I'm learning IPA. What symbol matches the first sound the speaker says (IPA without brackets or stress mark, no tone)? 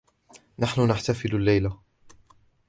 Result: n